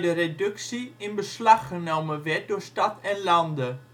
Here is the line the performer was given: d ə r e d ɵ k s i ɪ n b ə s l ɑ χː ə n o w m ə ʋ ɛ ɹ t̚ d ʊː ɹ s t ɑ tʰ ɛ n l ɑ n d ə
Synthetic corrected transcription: d ə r e d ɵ k s i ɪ n b ə s l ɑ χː ə n o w m ə ʋ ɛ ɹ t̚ d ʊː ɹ s t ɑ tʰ ɛ n l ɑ n d ə